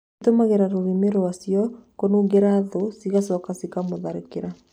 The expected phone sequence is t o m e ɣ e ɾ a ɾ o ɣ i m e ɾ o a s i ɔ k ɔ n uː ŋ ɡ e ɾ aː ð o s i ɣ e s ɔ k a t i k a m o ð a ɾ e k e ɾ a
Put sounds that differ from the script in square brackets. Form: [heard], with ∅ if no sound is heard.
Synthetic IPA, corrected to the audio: t o m [a] ɣ e ɾ a ɾ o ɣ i m e ɾ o a s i ɔ k [o] n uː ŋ ɡ e ɾ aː ð o s i ɣ [a] s ɔ k a [s] i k a m o ð a ɾ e k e ɾ a